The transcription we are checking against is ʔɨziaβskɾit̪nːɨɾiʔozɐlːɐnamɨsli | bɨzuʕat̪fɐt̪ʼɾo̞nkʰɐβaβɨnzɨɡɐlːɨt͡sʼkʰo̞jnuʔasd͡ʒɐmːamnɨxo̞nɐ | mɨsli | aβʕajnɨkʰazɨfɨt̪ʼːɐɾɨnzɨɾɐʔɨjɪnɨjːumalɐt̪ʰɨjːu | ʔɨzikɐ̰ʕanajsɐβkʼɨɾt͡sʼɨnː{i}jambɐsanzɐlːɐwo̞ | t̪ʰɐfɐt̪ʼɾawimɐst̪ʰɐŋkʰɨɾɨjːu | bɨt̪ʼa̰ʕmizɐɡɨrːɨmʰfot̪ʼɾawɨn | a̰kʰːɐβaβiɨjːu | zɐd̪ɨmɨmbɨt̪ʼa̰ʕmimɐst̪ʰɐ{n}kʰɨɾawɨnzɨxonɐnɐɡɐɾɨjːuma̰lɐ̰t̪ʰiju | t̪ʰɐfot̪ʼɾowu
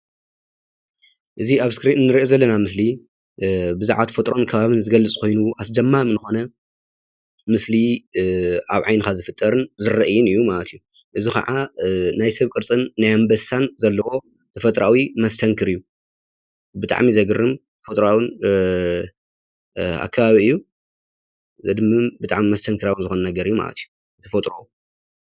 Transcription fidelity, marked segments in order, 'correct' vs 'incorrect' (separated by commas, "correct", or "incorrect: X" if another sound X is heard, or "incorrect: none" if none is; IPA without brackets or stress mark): incorrect: a, incorrect: ŋ